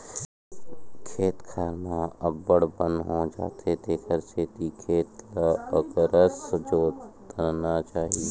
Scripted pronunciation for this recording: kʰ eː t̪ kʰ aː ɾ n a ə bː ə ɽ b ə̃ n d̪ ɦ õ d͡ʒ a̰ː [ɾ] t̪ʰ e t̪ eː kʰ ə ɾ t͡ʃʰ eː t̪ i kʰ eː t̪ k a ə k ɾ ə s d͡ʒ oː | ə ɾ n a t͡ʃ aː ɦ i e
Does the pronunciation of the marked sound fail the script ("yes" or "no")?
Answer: yes